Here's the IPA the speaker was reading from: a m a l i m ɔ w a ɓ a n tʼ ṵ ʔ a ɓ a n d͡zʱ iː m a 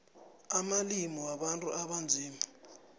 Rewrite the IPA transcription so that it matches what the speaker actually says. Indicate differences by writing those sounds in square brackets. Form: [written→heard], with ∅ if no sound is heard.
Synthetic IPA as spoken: a m a l i m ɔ w a ɓ a n tʼ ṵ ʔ a ɓ a n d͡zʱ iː m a